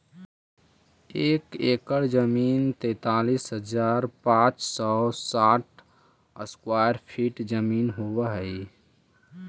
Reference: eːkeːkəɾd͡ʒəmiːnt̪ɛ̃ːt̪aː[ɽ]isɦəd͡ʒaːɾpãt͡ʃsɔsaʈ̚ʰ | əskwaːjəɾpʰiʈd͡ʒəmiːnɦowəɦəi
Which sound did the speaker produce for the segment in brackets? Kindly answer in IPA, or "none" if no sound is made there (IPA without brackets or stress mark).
l